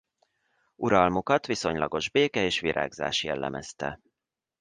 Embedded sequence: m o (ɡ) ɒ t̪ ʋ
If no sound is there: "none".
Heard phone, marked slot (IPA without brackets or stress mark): k